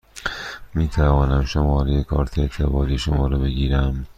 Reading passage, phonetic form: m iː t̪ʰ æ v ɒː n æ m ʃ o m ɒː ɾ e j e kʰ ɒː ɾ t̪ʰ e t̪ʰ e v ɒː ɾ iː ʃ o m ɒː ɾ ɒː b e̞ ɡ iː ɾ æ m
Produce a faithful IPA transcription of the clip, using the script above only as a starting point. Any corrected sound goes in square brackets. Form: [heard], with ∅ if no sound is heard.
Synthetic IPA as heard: m iː t̪ʰ æ v ɒː n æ m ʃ o m ɒː ɾ e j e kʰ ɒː ɾ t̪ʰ e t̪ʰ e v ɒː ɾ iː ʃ o m ɒː ɾ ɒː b e̞ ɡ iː ɾ æ m